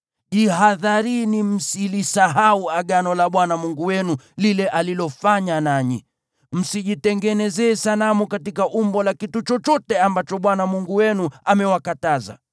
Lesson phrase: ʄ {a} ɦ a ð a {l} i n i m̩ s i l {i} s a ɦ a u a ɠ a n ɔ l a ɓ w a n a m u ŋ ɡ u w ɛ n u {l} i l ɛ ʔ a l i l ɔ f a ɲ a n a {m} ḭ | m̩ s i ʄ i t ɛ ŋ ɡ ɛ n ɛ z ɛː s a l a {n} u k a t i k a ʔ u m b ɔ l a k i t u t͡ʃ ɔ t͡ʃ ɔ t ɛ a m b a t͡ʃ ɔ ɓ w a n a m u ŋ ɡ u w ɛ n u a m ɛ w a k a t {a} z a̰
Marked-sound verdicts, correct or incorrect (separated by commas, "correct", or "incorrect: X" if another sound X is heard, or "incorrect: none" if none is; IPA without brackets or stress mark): incorrect: i, incorrect: ɾ, correct, correct, incorrect: ɲ, incorrect: m, correct